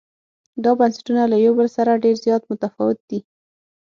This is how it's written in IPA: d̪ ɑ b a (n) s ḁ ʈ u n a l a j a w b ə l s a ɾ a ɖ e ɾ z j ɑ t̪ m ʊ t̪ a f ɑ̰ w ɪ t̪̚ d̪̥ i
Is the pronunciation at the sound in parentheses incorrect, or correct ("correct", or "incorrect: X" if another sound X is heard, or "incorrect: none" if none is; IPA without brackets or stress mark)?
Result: correct